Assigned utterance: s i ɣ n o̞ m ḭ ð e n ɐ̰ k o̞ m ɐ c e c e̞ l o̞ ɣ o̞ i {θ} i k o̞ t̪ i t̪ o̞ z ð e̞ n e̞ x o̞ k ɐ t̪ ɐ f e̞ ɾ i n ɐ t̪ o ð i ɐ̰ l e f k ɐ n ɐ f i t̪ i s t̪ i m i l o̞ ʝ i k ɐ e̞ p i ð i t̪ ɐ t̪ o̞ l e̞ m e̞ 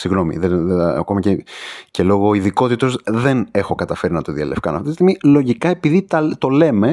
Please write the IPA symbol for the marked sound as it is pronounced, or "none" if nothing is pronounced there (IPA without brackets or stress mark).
ð